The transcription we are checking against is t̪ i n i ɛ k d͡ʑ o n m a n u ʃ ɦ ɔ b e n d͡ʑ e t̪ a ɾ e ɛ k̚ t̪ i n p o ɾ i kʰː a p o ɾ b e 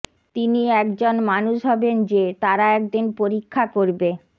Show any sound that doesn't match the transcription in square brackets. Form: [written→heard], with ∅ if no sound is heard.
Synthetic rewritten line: t̪ i n i ɛ k d͡ʑ o n m a n u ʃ ɦ ɔ b e n d͡ʑ e t̪ a ɾ [e→a] ɛ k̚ [t̪→d̪] i n p o ɾ i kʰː a [p→k] o ɾ b e